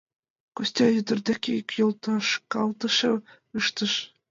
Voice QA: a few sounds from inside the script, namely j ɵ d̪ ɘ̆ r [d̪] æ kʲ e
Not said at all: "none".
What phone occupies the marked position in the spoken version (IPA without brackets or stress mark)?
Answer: d̪